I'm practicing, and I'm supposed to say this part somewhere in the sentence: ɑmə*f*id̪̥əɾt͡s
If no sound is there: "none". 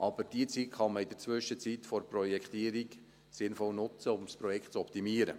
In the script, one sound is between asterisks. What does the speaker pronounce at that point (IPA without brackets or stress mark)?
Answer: none